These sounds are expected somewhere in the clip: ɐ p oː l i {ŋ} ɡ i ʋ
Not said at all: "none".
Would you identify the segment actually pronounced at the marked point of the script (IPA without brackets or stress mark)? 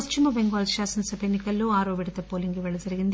ŋ